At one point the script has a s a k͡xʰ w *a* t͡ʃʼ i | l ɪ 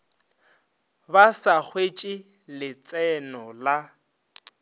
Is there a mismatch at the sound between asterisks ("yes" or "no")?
yes